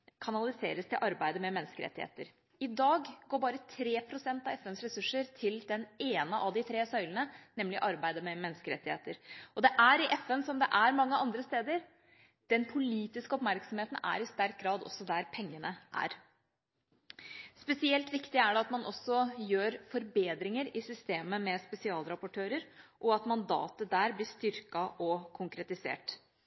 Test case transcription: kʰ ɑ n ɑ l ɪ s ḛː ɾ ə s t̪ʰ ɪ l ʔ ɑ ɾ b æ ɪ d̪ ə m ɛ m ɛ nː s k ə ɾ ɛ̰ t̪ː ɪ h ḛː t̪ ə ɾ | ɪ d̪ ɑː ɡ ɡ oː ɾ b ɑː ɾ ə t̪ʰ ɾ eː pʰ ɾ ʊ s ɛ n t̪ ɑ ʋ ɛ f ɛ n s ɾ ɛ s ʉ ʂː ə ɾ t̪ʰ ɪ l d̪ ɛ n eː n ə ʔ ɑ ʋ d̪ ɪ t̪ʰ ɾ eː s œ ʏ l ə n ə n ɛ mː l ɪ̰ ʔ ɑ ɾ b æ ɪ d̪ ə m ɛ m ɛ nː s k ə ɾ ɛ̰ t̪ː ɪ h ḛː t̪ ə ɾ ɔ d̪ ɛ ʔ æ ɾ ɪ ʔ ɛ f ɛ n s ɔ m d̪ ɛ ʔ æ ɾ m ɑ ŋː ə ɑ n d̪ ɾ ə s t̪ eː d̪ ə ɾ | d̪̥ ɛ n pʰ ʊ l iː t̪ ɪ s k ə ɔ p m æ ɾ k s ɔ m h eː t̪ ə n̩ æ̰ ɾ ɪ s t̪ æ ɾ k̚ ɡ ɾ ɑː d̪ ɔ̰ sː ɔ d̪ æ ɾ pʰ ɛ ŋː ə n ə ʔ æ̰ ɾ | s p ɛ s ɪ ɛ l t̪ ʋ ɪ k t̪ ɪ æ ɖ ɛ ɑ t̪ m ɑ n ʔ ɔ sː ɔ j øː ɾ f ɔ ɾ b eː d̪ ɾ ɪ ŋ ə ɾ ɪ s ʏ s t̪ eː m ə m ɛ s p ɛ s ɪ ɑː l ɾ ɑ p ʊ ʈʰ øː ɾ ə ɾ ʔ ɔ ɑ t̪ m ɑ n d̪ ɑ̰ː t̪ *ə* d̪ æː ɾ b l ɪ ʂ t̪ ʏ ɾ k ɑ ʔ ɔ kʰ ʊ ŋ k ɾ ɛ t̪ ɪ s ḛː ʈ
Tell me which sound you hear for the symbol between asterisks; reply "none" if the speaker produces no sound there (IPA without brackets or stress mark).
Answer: ə